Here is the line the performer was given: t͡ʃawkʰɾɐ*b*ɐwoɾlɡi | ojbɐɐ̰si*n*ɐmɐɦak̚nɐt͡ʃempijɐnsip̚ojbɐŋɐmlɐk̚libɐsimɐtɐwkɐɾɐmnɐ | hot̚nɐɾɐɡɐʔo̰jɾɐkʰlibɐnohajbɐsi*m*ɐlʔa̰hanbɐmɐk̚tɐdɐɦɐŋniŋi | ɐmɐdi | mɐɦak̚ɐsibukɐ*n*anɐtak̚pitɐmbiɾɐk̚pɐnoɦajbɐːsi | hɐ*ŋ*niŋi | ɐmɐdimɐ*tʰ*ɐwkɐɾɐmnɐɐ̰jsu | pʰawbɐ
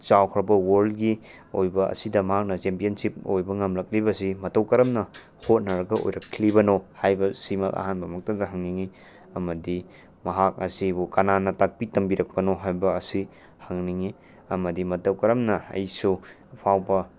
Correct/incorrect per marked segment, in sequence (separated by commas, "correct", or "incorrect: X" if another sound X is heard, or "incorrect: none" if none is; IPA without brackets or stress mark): correct, incorrect: d, correct, correct, correct, incorrect: t